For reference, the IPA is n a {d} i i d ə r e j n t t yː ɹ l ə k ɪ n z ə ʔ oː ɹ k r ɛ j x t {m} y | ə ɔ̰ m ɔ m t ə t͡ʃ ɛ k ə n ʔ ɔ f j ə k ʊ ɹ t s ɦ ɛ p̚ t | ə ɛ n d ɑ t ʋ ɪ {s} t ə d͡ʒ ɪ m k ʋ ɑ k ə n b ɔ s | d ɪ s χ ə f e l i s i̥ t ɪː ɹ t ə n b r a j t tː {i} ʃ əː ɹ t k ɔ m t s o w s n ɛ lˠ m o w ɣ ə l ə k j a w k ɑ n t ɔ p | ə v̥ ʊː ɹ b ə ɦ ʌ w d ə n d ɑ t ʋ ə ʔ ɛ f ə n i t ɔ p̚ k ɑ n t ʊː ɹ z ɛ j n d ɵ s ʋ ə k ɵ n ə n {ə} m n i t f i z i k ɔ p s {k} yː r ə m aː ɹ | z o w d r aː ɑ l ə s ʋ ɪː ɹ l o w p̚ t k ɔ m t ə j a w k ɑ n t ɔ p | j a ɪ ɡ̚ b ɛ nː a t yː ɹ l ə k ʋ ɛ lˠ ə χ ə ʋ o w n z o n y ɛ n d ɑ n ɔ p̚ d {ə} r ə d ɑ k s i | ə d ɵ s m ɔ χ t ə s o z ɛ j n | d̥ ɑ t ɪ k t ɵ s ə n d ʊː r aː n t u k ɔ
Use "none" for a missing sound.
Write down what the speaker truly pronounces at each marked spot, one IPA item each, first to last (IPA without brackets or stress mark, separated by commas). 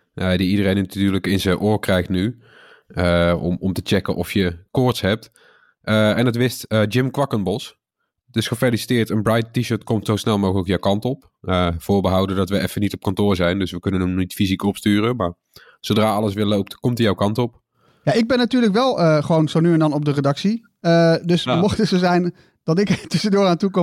d, n, s, i, ə, t, ə